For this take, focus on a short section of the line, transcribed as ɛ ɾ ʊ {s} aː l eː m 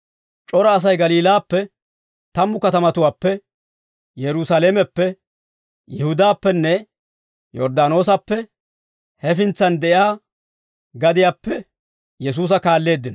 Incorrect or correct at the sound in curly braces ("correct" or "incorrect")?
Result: correct